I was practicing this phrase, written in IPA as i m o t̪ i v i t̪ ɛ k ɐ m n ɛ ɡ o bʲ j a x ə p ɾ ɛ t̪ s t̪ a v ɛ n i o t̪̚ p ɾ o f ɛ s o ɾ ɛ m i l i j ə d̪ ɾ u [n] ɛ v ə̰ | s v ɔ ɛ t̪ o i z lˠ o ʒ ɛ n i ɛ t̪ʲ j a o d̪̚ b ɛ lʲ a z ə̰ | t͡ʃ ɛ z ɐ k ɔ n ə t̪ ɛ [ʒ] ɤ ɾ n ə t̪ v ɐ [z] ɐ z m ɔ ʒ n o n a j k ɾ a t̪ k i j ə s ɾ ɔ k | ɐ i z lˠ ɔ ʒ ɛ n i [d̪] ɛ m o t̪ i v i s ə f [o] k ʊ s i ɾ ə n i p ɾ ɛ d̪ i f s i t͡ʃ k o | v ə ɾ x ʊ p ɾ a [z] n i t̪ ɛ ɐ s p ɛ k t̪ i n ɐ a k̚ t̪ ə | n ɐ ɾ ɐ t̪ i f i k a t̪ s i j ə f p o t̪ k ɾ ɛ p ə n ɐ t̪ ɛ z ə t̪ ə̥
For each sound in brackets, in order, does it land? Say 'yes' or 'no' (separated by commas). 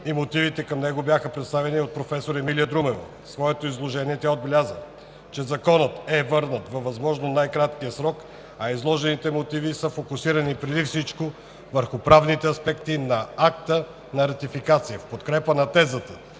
no, no, no, no, yes, no